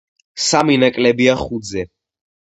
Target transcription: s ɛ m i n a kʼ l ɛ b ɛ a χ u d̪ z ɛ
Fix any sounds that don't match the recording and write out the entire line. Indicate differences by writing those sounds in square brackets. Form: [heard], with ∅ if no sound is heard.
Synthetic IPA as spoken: s [a] m i n a kʼ l ɛ b [i] a χ u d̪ z ɛ